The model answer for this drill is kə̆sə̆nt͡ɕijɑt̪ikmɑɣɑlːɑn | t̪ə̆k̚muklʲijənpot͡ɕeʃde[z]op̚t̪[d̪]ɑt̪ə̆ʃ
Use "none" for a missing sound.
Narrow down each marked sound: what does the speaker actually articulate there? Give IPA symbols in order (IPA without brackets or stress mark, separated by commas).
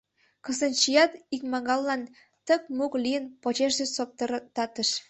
s, t̪